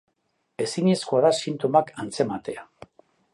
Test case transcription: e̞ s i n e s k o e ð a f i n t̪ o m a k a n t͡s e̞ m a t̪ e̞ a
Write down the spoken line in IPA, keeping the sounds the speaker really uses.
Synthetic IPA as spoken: e̞ s i ɲ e s k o a ð a s i n t̪ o m a k a n t͡s e̞ m a t̪ e̞ a